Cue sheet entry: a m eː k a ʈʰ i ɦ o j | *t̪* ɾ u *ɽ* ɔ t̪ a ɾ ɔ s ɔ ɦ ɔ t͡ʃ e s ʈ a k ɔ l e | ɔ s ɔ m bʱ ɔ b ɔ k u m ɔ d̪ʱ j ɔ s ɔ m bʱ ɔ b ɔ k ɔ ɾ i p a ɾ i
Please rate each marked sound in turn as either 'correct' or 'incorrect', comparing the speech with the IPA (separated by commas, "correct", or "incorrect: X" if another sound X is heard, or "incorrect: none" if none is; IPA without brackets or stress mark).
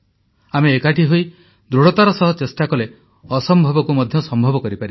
incorrect: d̪, correct